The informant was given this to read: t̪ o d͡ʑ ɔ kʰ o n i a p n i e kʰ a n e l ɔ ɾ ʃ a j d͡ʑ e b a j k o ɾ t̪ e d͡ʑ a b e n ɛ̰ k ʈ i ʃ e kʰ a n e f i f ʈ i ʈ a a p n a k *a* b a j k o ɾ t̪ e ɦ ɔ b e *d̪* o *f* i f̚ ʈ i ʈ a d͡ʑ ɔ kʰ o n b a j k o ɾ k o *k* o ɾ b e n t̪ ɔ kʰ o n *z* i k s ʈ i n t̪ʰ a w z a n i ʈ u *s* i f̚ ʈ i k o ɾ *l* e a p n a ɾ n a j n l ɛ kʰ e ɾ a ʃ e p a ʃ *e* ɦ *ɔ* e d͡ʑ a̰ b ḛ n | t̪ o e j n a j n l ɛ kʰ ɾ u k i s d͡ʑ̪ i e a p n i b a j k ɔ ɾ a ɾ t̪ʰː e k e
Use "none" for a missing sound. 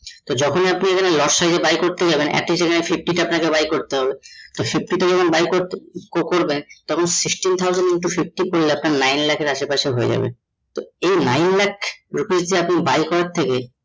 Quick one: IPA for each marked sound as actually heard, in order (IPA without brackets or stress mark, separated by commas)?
e, t̪, f, k, s, f, l, e, o